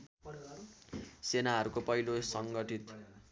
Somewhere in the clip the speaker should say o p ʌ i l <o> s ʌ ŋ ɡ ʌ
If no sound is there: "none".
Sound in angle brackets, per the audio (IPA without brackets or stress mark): o